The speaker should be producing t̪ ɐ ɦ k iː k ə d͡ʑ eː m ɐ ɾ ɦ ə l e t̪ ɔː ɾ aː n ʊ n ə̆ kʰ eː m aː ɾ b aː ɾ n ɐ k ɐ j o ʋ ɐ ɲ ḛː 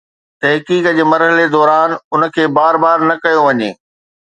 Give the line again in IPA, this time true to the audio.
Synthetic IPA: t̪ ɐ ɦ k iː k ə d͡ʑ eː m ɐ ɾ ɦ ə l e d̪ ɔː ɾ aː n ʊ n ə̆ kʰ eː b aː ɾ b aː ɾ n ɐ k ɐ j o ʋ ɐ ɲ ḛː